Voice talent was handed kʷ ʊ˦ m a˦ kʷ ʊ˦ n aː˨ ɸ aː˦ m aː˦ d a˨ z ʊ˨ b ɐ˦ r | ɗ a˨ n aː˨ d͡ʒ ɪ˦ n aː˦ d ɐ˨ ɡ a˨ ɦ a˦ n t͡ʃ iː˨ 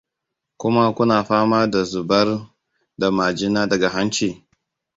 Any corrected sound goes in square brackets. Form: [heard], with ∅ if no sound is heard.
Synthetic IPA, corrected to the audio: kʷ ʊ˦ m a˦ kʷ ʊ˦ n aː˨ ɸ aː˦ m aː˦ d a˨ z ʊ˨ b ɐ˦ r | [d] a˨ [m] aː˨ d͡ʒ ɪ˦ n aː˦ d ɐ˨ ɡ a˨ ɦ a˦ n t͡ʃ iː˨